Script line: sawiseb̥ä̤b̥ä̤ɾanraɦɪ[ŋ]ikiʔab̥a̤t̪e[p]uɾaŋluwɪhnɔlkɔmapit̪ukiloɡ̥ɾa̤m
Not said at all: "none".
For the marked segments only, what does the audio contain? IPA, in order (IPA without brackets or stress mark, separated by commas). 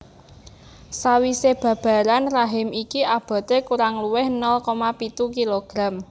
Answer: m, k